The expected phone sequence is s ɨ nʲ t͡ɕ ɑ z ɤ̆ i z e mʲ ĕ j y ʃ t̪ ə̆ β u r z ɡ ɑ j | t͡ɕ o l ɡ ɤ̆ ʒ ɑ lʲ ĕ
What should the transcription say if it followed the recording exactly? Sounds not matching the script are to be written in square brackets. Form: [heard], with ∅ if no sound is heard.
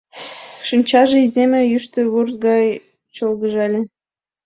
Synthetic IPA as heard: [ʃ] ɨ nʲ t͡ɕ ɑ [ʒ] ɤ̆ i z e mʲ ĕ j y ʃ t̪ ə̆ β u r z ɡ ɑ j | t͡ɕ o l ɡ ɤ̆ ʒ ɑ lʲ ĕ